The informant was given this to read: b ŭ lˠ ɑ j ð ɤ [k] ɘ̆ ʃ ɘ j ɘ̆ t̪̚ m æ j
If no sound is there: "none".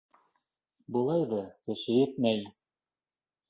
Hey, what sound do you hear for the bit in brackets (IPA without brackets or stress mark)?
k